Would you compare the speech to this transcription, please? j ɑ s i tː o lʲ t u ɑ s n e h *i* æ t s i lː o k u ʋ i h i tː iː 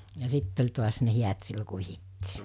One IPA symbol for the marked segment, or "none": i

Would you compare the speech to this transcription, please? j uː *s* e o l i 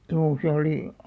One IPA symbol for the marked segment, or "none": s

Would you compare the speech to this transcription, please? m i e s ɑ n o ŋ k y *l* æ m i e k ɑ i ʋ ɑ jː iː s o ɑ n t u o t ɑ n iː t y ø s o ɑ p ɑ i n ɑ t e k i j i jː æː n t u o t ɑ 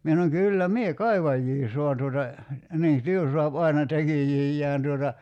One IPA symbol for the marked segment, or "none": lː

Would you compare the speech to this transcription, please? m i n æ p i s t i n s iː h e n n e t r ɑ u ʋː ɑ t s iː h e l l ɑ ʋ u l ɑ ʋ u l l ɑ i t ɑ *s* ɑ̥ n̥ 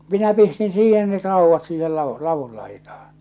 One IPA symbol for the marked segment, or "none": h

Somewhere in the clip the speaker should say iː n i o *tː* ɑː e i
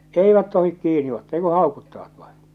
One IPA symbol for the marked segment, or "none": tː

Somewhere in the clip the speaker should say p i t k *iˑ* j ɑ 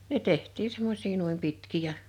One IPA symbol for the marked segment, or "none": iˑ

